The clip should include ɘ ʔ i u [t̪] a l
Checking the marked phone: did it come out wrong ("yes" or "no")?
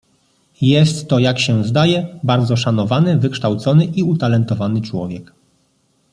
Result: no